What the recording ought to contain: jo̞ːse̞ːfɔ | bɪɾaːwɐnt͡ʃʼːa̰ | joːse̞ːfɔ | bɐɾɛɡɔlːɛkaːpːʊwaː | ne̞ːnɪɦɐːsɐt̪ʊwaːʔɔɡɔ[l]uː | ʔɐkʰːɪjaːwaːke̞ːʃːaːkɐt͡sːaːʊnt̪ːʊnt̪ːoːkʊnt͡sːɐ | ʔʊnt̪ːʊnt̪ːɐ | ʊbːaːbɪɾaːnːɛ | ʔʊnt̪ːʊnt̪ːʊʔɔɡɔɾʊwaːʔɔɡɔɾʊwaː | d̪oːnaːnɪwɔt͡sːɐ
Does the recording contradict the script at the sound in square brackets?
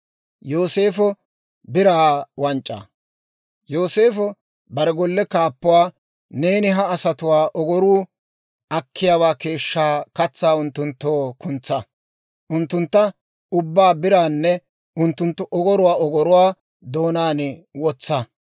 yes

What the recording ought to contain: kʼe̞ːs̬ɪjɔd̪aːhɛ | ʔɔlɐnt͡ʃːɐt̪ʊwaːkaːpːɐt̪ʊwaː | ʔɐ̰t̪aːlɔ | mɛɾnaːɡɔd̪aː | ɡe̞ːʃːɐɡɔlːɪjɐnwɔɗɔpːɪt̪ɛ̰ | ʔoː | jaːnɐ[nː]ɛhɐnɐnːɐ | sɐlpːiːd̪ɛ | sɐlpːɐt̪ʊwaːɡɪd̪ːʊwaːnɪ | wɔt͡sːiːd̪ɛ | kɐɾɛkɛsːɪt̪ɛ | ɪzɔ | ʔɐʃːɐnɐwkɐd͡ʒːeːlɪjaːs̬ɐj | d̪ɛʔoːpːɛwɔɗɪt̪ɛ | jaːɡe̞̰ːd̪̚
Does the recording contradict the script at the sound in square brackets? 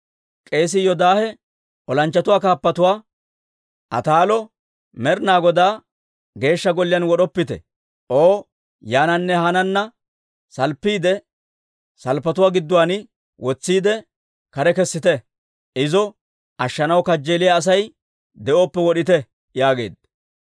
no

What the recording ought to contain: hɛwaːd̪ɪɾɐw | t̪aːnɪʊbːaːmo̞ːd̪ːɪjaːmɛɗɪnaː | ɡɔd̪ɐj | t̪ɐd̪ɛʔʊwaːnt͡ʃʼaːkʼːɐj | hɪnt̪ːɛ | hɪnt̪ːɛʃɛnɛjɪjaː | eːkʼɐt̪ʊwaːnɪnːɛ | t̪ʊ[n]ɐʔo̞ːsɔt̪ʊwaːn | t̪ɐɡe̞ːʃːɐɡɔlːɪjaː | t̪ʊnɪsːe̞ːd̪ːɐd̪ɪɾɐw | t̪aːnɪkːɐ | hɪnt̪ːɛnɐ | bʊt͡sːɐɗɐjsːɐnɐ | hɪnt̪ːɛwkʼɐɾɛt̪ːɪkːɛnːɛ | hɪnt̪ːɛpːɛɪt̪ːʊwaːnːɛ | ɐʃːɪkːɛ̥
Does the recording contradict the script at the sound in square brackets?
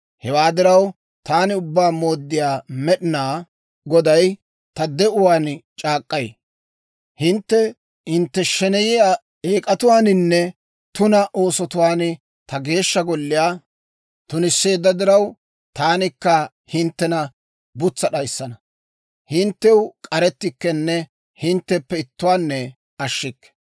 no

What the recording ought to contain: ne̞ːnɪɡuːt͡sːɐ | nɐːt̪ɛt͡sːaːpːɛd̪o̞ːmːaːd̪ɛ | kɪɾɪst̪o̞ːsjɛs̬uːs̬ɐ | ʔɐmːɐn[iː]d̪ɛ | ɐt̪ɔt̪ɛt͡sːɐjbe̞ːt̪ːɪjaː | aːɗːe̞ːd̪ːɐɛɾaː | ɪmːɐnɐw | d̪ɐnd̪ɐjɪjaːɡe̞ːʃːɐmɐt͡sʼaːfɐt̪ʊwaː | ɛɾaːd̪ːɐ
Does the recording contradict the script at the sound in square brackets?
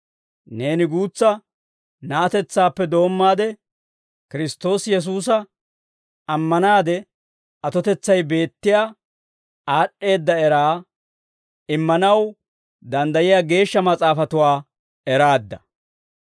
yes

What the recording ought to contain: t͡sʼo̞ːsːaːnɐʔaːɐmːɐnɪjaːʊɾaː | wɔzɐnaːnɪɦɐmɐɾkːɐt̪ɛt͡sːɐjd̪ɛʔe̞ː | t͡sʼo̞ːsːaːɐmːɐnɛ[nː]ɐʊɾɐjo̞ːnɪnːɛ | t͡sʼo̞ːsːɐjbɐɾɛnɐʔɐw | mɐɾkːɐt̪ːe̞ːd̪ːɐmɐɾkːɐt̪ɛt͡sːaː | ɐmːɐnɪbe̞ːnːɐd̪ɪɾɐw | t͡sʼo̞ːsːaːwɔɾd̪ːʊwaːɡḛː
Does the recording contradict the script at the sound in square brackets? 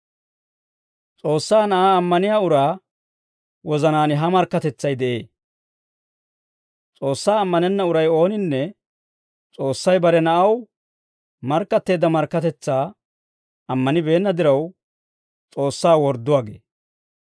no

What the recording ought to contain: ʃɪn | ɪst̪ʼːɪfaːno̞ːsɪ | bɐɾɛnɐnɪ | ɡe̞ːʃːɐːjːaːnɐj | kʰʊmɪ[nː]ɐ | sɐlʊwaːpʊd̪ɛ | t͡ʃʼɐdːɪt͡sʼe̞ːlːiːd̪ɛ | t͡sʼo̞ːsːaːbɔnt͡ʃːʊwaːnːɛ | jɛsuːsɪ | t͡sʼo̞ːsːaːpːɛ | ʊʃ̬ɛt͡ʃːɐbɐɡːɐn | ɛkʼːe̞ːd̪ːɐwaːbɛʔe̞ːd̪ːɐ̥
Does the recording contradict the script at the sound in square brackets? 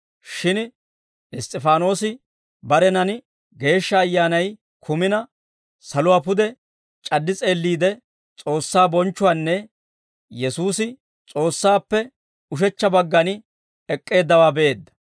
yes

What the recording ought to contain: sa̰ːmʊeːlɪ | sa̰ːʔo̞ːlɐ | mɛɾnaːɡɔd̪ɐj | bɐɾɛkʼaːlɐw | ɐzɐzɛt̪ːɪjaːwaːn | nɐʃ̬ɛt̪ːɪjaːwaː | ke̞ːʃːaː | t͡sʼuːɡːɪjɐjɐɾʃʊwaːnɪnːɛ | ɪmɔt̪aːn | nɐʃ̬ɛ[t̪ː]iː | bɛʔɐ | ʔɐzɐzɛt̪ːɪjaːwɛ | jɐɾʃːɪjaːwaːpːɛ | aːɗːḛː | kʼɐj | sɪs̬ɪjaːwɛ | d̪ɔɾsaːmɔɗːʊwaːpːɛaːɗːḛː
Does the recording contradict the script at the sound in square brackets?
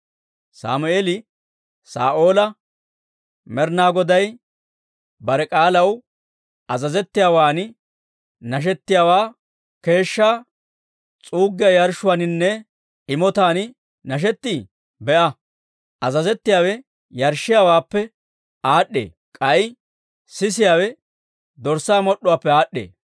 no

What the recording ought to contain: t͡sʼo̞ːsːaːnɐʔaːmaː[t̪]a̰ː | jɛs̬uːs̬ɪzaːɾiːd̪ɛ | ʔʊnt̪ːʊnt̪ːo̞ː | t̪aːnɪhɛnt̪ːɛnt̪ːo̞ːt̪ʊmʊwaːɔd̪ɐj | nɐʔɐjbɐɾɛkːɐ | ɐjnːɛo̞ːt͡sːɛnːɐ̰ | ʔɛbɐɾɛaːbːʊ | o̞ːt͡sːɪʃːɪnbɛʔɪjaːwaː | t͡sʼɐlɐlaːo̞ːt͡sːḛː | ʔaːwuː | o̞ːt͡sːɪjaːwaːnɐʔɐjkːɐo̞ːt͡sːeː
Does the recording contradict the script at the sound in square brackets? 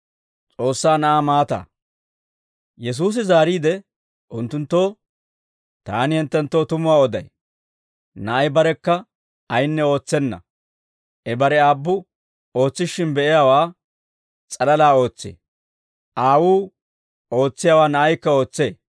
no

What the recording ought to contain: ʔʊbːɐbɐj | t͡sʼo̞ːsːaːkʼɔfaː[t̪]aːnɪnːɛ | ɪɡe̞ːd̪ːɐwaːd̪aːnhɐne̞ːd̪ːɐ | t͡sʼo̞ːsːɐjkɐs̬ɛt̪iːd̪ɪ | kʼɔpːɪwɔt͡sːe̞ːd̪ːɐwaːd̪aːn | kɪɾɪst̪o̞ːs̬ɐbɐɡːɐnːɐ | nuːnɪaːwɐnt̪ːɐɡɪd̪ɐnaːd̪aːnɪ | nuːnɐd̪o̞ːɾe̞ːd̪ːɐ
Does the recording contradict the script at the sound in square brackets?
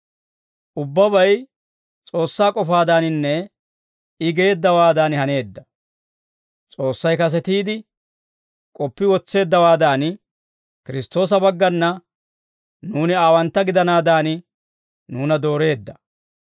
yes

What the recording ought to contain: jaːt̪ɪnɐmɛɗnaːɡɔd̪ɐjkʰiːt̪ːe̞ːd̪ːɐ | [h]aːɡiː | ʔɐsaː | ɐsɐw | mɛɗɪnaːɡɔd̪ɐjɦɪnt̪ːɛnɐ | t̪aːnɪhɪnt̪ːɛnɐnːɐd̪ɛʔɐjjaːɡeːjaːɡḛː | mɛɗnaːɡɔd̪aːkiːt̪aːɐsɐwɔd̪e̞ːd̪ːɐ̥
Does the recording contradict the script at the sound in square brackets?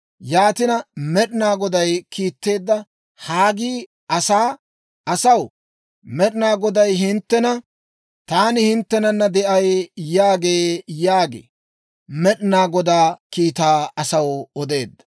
no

